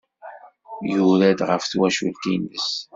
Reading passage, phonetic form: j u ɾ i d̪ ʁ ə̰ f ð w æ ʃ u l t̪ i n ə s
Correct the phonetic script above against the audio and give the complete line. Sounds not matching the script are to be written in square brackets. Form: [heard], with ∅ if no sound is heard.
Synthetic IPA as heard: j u ɾ [æ] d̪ ʁ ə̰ f [θ] w æ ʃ u l t̪ i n ə s